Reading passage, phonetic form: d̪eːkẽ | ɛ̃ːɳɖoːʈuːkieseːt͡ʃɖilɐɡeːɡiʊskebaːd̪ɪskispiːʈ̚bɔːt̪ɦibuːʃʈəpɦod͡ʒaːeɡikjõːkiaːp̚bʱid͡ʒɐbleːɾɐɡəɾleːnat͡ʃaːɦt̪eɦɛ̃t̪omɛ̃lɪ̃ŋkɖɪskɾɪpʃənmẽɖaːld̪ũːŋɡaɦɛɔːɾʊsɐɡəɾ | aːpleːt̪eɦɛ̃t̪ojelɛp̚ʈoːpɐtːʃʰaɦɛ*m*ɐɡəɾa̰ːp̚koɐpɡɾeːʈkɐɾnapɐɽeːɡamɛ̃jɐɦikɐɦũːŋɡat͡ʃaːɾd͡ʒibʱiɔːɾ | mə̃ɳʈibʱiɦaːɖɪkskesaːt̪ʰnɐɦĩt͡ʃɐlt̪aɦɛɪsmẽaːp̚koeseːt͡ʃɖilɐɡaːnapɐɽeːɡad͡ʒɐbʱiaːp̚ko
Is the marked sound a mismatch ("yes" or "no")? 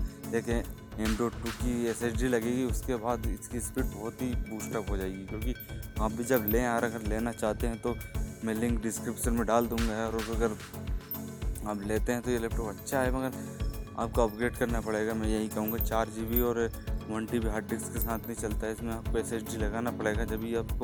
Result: no